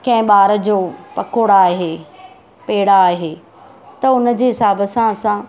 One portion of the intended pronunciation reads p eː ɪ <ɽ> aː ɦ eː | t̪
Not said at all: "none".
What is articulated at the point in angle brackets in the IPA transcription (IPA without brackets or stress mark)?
ɽ